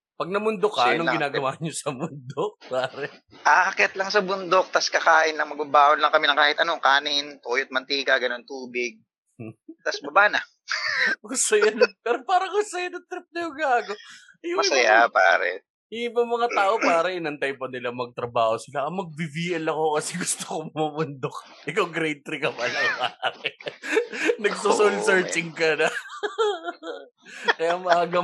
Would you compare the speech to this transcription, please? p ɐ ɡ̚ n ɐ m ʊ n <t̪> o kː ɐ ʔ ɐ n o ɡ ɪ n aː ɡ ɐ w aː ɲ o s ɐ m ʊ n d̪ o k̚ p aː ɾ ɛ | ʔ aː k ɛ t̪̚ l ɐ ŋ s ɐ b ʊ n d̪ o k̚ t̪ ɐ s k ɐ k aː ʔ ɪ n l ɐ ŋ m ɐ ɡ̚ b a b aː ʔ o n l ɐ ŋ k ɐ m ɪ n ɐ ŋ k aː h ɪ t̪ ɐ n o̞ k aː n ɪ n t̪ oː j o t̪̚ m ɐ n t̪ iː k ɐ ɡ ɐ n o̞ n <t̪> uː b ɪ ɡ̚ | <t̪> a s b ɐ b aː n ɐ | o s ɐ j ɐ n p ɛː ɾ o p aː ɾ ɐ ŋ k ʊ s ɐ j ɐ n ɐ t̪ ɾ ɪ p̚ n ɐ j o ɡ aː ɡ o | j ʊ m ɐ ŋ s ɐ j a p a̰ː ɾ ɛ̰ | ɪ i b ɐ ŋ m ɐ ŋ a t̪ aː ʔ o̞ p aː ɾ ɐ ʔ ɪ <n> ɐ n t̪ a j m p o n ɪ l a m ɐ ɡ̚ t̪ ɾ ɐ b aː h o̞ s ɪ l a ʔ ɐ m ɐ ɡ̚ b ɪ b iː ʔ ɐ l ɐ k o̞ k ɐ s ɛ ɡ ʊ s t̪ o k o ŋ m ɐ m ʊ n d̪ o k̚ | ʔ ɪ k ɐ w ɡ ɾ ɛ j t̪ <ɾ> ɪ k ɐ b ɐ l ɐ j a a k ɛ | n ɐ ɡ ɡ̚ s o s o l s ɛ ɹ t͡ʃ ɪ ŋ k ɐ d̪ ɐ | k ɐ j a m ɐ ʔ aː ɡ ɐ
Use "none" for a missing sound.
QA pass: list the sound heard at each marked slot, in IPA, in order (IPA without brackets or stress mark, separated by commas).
d̪, t̪, t̪, n, ɾ